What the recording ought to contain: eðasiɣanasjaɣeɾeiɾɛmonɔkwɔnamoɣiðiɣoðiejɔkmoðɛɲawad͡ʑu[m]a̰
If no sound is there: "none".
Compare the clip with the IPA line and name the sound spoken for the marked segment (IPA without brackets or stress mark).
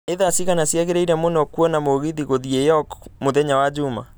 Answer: m